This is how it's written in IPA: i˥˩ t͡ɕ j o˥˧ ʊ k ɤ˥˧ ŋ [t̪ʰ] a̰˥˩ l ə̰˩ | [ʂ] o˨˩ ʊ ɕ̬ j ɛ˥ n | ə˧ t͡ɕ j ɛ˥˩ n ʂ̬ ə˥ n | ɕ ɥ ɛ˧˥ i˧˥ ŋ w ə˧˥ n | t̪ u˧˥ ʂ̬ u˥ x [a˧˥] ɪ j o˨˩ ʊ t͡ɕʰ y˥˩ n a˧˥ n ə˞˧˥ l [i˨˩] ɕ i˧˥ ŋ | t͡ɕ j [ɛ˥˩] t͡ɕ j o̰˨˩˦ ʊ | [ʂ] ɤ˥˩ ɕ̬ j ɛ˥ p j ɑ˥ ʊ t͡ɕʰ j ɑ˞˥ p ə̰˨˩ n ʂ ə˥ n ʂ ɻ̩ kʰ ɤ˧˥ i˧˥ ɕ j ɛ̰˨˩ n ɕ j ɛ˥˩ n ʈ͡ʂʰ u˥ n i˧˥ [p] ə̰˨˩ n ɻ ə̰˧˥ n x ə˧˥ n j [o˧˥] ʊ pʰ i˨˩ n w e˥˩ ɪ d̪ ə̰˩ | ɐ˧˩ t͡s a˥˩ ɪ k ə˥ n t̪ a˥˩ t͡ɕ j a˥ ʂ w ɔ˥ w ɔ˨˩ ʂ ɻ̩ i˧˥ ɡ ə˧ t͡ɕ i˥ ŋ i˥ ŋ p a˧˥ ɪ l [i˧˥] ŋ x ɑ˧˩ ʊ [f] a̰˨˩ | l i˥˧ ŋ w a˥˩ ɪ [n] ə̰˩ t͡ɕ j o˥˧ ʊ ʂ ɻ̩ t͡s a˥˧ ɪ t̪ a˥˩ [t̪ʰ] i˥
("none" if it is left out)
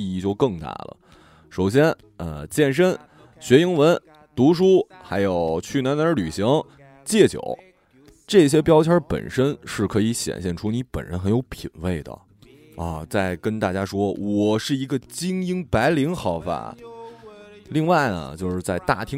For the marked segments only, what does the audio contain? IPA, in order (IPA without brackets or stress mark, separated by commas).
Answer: t̪, ʂ, a˧˥, y˨˩, ɛ˥˩, ʈ͡ʂ, p, o˧˥, i˧˥, f, n, t̪ʰ